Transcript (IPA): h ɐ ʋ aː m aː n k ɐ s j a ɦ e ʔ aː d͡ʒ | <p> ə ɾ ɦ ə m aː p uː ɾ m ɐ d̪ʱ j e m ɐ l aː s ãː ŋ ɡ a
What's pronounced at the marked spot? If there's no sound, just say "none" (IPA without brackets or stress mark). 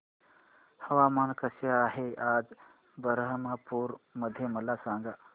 b